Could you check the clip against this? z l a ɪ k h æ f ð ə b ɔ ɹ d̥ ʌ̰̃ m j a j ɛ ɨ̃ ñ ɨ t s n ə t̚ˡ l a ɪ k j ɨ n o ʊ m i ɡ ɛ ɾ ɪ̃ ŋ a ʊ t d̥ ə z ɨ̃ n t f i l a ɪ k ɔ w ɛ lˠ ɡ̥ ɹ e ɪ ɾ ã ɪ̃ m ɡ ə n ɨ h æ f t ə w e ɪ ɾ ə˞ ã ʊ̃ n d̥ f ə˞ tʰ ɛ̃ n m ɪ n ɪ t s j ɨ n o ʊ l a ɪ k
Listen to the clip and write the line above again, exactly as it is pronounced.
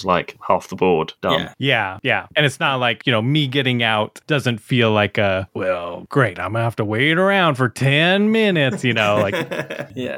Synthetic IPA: z l a ɪ k h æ f ð ə b ɔ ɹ d̥ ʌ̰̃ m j æ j æ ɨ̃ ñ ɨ t s n ə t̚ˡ l a ɪ k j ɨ n o ʊ m i ɡ ɛ ɾ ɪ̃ ŋ a ʊ t d̥ ʌ z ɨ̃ n t f i l a ɪ k ʌ w ɛ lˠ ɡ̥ ɹ e ɪ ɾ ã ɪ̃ m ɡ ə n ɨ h æ f t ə w e ɪ ɾ ə˞ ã ʊ̃ n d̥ f ə˞ tʰ ɛ̃ n m ɪ n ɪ t s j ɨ n o ʊ l a ɪ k